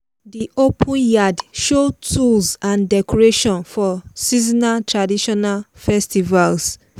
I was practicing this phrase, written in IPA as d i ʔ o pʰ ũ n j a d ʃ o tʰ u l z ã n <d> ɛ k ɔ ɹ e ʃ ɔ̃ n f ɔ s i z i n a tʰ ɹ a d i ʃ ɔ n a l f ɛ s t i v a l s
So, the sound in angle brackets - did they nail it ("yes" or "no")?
yes